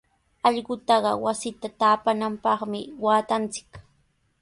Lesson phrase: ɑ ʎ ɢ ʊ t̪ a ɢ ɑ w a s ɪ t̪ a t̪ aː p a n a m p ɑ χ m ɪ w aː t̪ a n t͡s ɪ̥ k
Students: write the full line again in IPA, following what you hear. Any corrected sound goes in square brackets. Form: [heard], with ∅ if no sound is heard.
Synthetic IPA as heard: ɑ ʎ ɢ ʊ t̪ [ɑ] ɢ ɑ w a s ɪ t̪ a t̪ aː p a n a m p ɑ χ m ɪ w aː t̪ a n t͡s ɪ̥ k